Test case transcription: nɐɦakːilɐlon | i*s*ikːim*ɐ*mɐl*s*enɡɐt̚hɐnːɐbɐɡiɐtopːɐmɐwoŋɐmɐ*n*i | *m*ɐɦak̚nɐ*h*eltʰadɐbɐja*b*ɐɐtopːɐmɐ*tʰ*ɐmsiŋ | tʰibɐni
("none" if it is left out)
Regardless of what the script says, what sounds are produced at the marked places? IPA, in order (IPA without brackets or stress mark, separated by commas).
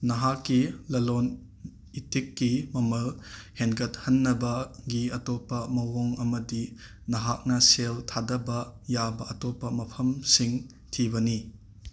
t, ɐ, h, d, n, s, b, pʰ